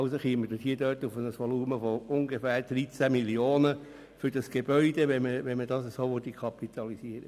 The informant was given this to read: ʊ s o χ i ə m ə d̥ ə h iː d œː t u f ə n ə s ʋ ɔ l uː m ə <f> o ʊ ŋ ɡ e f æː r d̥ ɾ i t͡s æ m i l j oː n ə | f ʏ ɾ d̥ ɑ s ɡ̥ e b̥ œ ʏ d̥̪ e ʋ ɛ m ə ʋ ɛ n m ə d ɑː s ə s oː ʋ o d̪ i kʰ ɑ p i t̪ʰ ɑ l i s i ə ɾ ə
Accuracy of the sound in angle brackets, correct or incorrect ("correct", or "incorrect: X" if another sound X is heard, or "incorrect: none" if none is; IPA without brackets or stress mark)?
correct